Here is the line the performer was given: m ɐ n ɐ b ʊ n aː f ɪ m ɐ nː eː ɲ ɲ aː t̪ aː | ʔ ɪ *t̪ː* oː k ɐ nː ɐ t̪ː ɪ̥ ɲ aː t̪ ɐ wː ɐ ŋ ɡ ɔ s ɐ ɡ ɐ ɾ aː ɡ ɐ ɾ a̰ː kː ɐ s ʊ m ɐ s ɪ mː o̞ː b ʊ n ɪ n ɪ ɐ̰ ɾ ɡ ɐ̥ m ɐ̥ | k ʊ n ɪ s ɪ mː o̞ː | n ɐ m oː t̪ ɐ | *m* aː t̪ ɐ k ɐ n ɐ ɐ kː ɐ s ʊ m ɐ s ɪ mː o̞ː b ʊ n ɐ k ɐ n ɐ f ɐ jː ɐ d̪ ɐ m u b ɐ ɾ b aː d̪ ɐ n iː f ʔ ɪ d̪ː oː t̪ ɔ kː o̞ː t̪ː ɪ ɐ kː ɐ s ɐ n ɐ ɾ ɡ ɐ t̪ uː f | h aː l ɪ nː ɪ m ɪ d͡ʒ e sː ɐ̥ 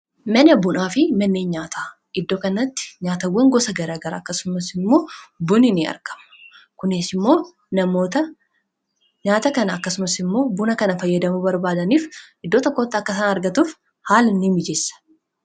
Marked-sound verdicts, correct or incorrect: incorrect: d̪ː, incorrect: ɲ

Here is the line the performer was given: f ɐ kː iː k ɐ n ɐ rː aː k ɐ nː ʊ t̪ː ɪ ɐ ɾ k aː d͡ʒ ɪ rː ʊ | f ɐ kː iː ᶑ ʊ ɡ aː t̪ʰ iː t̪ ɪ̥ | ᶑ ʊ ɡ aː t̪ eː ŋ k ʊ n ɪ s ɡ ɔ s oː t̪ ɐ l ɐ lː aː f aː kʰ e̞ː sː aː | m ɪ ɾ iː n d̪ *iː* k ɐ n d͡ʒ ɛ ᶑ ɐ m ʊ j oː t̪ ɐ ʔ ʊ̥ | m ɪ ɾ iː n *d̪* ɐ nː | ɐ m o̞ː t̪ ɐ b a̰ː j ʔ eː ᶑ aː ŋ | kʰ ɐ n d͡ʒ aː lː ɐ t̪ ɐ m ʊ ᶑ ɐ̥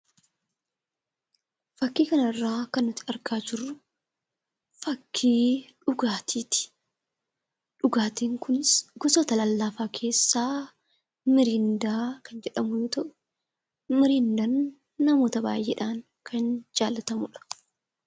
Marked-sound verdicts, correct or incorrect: incorrect: aː, correct

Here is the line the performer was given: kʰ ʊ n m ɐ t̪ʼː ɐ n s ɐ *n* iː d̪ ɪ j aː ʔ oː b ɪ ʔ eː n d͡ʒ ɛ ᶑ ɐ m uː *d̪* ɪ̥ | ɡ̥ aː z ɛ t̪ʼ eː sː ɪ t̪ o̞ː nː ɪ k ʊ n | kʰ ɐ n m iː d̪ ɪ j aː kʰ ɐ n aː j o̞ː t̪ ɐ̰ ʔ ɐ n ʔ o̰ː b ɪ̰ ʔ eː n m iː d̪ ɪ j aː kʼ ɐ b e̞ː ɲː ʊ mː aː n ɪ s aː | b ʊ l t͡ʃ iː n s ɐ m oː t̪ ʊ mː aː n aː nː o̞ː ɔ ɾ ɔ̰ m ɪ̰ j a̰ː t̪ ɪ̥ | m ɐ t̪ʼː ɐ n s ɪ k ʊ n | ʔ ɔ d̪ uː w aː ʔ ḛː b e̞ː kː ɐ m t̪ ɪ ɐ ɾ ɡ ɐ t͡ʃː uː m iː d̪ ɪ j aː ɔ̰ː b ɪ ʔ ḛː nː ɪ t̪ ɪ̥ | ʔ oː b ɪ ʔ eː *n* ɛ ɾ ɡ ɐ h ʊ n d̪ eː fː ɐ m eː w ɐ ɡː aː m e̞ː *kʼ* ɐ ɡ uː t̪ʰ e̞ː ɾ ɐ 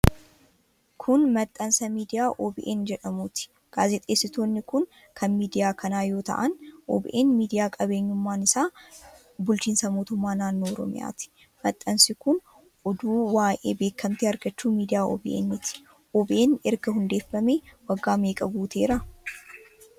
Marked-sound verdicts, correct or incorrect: incorrect: m, incorrect: t̪, correct, correct

